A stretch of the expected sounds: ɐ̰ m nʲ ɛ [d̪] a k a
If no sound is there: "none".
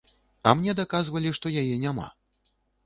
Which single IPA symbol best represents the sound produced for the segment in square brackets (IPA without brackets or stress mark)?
d̪